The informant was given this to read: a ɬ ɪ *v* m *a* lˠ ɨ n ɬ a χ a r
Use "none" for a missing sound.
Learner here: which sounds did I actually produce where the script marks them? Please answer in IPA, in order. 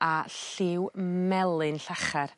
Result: w, ɛ

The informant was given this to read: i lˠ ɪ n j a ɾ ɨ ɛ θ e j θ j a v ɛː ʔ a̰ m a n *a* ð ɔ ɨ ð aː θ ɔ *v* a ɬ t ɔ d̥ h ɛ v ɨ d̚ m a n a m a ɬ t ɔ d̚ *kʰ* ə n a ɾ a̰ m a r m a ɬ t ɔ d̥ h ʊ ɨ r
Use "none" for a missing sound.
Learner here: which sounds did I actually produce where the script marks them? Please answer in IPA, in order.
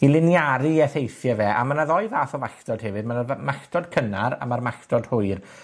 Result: a, v, kʰ

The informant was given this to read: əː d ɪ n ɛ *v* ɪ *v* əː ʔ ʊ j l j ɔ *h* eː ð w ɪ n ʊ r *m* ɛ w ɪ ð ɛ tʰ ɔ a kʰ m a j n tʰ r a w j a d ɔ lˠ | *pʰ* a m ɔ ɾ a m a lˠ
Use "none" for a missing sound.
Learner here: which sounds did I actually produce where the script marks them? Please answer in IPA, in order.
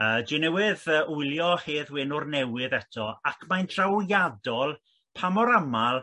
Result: w, ð, h, n, pʰ

